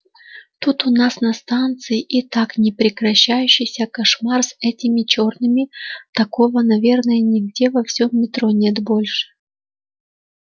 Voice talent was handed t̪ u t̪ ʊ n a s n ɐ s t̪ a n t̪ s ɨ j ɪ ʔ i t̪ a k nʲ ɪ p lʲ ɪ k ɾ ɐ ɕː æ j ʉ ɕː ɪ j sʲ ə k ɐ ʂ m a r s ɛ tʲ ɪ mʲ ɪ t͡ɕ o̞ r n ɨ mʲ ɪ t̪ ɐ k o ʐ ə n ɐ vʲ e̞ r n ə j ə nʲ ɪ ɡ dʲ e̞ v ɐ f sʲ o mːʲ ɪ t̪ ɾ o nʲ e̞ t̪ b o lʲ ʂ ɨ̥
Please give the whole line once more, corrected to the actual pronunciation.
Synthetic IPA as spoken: t̪ u t̪ ʊ n a s n ɐ s t̪ a n t̪ s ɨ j ɪ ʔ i t̪ a k nʲ ɪ p ɾʲ ɪ k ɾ ɐ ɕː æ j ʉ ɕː ɪ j sʲ ə k ɐ ʂ m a r s ɛ tʲ ɪ mʲ ɪ t͡ɕ o̞ r n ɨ mʲ ɪ t̪ ɐ k o v ə n ɐ vʲ e̞ r n ə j ə nʲ ɪ ɡ dʲ e̞ v ɐ f sʲ o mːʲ ɪ t̪ ɾ o nʲ e̞ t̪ b o lʲ ʂ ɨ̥